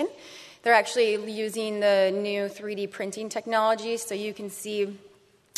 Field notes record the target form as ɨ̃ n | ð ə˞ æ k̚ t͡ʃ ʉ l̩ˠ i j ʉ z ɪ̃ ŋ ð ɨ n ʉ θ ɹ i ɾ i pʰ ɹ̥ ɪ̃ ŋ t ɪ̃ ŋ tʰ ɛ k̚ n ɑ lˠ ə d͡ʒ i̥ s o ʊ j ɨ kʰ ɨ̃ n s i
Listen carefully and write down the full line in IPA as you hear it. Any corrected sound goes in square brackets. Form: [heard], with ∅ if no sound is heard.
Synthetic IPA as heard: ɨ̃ n | ð ə˞ æ k̚ t͡ʃ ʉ l̩ˠ i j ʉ z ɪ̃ ŋ ð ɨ n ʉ θ ɹ i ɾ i pʰ ɹ̥ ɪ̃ [n] t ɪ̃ ŋ tʰ ɛ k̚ n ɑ lˠ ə d͡ʒ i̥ s o ʊ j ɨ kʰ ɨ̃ n s i